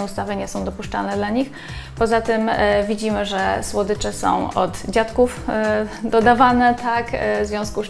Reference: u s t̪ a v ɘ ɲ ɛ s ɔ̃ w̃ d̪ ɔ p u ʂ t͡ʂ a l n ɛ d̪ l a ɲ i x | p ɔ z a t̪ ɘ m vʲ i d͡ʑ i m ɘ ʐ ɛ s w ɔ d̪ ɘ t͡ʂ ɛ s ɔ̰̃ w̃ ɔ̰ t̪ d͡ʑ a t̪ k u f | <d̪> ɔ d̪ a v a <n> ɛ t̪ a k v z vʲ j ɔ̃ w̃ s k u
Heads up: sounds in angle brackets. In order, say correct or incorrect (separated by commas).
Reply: correct, correct